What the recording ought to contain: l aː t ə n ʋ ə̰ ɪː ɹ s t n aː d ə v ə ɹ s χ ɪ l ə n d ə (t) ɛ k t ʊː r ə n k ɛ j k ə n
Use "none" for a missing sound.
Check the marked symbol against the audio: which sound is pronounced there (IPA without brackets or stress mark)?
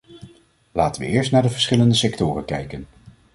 s